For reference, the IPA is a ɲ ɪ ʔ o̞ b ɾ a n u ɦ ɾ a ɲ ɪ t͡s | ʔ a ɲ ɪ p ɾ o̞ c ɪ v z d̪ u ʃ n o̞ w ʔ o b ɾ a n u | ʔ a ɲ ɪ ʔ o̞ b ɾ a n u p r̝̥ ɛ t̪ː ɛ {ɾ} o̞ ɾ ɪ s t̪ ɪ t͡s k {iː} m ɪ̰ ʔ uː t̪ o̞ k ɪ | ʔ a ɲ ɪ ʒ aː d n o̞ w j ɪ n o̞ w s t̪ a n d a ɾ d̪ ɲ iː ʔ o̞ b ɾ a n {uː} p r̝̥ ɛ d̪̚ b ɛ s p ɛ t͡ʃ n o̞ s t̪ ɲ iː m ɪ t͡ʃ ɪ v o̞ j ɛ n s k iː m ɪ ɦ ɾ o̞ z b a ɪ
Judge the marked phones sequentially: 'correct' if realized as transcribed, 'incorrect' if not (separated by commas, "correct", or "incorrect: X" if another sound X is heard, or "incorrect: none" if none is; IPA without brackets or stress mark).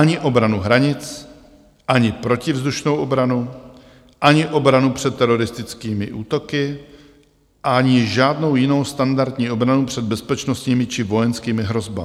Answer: correct, correct, incorrect: u